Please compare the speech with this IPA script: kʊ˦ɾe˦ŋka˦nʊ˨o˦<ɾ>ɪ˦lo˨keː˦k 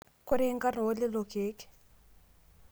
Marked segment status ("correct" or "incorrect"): incorrect